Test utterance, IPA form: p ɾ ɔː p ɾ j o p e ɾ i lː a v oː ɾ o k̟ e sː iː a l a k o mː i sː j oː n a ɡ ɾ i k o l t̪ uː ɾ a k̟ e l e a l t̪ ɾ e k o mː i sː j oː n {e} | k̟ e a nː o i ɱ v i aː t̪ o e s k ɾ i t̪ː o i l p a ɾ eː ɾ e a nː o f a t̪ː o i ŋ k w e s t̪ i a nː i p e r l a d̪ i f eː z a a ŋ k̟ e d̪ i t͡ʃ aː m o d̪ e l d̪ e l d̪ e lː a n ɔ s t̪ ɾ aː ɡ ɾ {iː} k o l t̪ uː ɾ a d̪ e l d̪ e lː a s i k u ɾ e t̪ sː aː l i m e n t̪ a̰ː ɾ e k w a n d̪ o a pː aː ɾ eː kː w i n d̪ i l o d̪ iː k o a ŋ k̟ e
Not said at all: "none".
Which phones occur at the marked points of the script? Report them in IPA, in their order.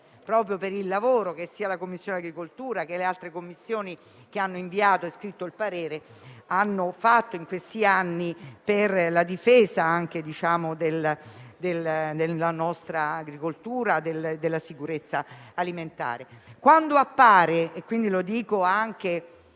i, i

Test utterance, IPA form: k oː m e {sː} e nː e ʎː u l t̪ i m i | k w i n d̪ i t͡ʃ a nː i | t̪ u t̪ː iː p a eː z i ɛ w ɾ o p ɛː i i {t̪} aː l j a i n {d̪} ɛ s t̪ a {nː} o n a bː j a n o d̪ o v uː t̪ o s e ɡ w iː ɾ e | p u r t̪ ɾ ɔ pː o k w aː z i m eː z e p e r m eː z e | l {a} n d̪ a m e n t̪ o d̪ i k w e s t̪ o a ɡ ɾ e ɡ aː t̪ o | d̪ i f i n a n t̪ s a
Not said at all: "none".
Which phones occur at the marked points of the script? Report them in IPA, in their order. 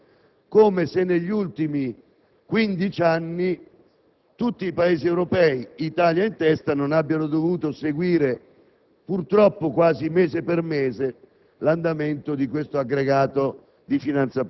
s, t̪, t̪, n, a

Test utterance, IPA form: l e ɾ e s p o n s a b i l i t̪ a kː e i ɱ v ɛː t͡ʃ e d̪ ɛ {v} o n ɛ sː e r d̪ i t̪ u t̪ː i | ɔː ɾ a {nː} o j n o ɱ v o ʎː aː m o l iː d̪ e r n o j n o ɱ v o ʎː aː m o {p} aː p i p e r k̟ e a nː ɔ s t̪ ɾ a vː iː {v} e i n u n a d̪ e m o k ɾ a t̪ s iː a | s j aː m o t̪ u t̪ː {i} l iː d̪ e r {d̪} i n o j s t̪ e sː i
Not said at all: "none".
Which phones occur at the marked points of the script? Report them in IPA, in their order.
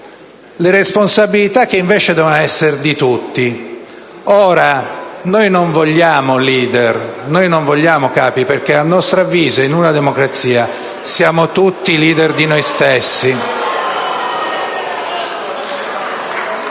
v, n, k, z, i, d̪

